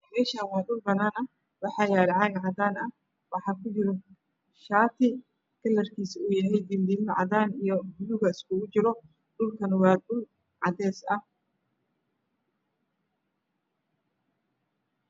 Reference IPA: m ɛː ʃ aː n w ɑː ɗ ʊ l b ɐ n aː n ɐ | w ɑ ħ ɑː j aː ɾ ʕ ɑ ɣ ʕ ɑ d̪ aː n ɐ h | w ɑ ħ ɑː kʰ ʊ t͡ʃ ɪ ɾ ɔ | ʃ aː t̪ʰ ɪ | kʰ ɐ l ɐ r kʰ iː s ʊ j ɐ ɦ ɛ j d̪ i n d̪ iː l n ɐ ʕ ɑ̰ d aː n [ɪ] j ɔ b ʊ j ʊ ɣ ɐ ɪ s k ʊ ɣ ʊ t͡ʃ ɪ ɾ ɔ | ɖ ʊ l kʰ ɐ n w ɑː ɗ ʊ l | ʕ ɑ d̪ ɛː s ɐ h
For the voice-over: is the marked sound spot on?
no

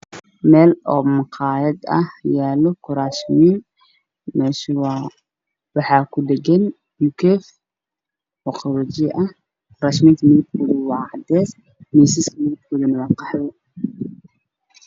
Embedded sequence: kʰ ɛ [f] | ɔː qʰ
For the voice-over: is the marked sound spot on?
yes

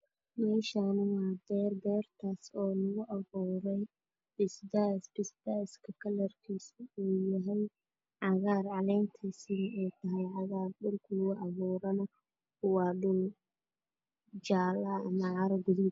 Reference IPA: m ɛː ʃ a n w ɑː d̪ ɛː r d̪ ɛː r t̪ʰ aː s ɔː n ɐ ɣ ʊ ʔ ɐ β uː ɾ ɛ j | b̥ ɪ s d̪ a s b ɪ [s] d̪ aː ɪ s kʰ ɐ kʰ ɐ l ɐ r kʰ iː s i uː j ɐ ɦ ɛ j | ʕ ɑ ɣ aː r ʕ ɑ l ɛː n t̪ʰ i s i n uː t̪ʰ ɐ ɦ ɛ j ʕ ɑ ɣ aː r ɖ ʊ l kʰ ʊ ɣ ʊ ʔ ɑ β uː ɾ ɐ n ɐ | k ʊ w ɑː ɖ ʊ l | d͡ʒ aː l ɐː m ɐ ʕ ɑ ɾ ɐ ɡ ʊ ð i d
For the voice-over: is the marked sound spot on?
yes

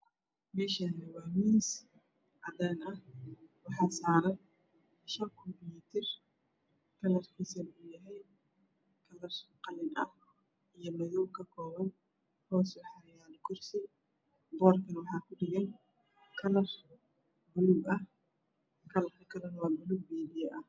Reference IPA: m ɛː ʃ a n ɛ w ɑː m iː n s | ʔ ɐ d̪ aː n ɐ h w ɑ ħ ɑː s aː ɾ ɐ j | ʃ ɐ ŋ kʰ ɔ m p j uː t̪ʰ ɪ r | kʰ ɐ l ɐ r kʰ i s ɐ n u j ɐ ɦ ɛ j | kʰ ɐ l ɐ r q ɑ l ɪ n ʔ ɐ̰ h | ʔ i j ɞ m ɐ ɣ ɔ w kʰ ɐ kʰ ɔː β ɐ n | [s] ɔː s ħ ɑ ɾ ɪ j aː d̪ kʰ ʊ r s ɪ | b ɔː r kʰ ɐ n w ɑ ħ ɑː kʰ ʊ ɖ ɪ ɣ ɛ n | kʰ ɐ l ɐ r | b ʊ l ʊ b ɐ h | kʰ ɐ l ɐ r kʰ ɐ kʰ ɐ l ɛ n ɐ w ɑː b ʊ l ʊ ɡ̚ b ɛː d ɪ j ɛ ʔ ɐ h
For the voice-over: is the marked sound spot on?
no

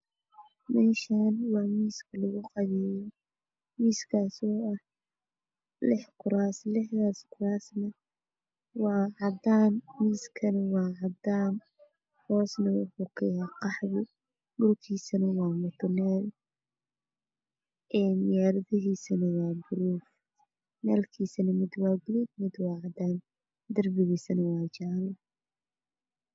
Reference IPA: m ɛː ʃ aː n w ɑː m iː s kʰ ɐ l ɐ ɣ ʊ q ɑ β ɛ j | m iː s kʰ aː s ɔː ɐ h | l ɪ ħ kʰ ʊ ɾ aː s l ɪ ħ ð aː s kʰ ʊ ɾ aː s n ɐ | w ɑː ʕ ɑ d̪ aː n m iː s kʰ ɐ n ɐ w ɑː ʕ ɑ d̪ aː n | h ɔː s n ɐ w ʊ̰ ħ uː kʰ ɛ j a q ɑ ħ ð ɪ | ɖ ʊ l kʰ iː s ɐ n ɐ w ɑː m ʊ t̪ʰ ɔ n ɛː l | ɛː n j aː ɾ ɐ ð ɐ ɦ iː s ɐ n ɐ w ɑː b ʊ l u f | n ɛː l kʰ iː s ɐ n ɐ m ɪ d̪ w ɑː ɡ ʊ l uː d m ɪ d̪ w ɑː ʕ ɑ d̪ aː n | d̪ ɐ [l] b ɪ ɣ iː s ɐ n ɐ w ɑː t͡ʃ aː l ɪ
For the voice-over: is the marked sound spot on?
no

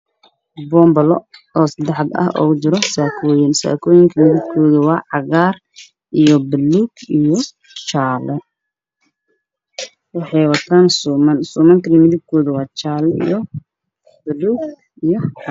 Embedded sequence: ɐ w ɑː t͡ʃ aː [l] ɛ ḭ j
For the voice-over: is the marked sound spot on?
yes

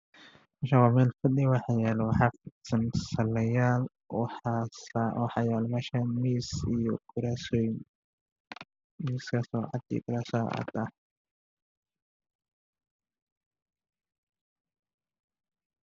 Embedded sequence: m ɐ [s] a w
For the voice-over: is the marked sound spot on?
no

